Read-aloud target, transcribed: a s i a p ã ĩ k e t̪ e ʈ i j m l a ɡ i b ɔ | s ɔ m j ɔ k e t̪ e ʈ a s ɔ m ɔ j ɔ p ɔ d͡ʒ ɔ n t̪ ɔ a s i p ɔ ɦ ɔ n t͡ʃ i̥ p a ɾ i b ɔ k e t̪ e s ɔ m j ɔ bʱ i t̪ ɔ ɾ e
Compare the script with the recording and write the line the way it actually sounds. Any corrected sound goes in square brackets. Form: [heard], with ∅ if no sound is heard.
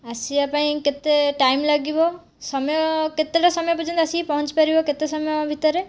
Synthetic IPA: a s i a p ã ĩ k e t̪ e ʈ [a] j m l a ɡ i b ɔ | s ɔ m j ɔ k e t̪ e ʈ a s ɔ m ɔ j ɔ p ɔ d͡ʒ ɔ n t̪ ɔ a s i p ɔ ɦ ɔ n t͡ʃ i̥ p a ɾ i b ɔ k e t̪ e s ɔ m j ɔ bʱ i t̪ ɔ ɾ e

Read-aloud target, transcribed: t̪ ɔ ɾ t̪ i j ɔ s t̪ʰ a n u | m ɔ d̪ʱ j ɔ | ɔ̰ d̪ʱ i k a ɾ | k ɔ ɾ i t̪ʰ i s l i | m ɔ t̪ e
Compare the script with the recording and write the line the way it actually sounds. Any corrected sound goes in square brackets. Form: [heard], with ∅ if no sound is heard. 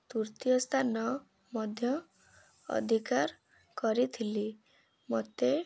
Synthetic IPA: t̪ [u] ɾ t̪ i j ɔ s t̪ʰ a n [ɔ] | m ɔ d̪ʱ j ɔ | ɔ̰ d̪ʱ i k a ɾ | k ɔ ɾ i t̪ʰ i [∅] l i | m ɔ t̪ e

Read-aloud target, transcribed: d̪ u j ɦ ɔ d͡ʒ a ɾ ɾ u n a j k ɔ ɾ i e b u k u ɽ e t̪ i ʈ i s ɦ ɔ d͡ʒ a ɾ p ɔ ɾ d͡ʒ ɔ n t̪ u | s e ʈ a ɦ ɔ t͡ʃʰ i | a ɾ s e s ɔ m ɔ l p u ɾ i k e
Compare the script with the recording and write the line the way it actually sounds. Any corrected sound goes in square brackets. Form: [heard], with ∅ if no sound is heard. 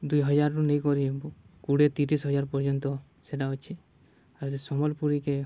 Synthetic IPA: d̪ u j ɦ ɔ d͡ʒ a ɾ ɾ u n [e] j k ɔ ɾ i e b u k u ɽ e t̪ i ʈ i s ɦ ɔ d͡ʒ a ɾ p ɔ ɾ d͡ʒ ɔ n t̪ [ɔ] | s e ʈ a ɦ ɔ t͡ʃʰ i | a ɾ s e s ɔ m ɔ l p u ɾ i k e

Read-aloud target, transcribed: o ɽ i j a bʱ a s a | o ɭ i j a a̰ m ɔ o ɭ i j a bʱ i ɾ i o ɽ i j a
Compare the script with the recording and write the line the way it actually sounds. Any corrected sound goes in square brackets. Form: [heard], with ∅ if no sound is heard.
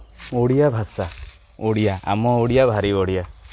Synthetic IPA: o ɽ i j a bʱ a s a | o [ɽ] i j a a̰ m ɔ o [ɽ] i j a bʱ [a] ɾ i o ɽ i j a

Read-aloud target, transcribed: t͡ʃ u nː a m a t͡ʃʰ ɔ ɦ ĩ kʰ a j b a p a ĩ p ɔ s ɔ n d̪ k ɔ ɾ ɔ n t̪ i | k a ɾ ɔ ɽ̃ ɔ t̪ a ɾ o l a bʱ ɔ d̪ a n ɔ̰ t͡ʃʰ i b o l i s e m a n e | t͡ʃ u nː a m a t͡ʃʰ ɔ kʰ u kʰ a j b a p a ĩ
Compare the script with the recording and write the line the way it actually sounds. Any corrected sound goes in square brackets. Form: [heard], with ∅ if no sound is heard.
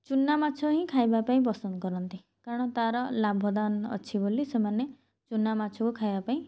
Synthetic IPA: t͡ʃ u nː a m a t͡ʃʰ ɔ ɦ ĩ kʰ a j b a p a ĩ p ɔ s ɔ n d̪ k ɔ ɾ ɔ n t̪ i | k a ɾ ɔ ɽ̃ ɔ t̪ a ɾ [ɔ] l a bʱ ɔ d̪ a n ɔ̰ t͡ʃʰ i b o l i s e m a n e | t͡ʃ u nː a m a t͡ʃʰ ɔ [k] u kʰ a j b a p a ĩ

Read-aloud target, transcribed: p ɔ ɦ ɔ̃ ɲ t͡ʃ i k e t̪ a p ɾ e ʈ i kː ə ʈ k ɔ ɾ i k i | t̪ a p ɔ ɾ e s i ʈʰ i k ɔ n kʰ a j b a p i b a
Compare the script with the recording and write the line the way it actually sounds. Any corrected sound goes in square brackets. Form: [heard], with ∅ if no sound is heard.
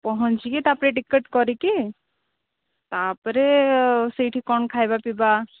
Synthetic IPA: p ɔ ɦ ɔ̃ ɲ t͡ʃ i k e t̪ a p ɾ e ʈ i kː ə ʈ k ɔ ɾ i k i | t̪ a p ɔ ɾ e s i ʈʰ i k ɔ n kʰ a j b a p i b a

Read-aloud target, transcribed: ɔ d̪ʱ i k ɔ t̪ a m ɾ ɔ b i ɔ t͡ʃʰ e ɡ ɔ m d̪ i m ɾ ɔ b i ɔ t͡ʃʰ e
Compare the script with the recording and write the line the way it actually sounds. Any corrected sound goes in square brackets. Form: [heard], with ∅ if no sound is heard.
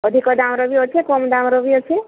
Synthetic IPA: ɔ d̪ʱ i k ɔ [d̪] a m ɾ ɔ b i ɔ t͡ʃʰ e [k] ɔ m d̪ [a] m ɾ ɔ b i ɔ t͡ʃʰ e

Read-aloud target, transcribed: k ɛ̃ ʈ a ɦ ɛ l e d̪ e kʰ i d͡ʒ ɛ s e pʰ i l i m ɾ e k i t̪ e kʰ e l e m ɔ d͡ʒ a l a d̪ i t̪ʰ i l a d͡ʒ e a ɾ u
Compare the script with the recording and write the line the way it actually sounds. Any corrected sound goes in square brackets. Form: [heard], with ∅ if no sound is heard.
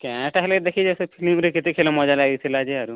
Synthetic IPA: k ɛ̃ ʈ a ɦ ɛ l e d̪ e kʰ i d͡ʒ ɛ s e pʰ i l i m ɾ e k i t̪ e kʰ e l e m ɔ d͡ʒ a l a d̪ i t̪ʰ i l a d͡ʒ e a ɾ u

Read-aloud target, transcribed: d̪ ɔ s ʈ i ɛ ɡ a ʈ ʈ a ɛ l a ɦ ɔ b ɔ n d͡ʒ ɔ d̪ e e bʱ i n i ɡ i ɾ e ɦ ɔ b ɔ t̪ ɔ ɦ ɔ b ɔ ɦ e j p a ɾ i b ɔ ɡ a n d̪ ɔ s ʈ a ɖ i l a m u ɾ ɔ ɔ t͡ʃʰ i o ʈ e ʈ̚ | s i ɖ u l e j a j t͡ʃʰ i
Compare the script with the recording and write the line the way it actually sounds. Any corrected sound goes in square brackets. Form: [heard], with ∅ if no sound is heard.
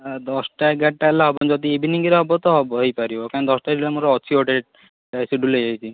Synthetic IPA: d̪ ɔ s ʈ [a] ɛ ɡ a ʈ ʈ a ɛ l a ɦ ɔ b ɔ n d͡ʒ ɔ d̪ [i] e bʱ i n i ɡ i ɾ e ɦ ɔ b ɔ t̪ ɔ ɦ ɔ b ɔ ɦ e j p a ɾ i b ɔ [k] a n d̪ ɔ s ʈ a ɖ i l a m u ɾ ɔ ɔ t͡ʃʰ i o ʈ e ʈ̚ | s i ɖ u l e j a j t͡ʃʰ i

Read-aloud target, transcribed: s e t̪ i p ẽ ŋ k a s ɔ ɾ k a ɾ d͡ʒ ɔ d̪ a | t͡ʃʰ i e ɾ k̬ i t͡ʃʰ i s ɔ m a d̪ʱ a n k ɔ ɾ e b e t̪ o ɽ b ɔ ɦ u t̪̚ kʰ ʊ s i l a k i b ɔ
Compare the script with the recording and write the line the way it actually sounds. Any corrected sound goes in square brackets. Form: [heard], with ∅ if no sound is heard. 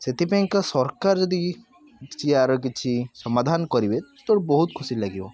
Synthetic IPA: s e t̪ i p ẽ ŋ k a s ɔ ɾ k a ɾ d͡ʒ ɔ d̪ [i] | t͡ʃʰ i [a] ɾ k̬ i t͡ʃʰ i s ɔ m a d̪ʱ a n k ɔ ɾ [i] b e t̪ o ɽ b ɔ ɦ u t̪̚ kʰ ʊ s i l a [ɡ] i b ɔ

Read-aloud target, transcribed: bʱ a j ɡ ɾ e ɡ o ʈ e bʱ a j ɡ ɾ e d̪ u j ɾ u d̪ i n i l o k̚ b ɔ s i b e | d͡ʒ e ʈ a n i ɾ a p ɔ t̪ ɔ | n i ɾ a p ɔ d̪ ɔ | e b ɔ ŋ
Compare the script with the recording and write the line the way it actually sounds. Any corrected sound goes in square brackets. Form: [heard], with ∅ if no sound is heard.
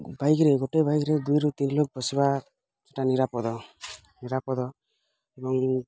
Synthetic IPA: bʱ a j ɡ ɾ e ɡ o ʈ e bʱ a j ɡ ɾ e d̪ u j ɾ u [t̪] i n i l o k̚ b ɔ s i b [a] | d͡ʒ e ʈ a n i ɾ a p ɔ [d̪] ɔ | n i ɾ a p ɔ d̪ ɔ | e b ɔ ŋ

